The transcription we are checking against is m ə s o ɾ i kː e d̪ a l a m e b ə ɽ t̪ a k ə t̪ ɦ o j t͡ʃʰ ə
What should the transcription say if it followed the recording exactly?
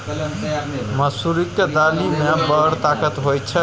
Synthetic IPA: m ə s u ɾ i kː e d̪ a l i m e b ə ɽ t̪ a k ə t̪ ɦ o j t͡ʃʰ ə